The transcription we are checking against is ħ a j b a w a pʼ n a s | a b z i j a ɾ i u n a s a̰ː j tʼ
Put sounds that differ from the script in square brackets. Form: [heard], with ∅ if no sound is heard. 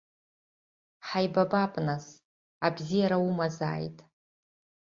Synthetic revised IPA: ħ a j b a [b] a pʼ n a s | a b z i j a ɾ [a] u [m] a [z] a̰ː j tʼ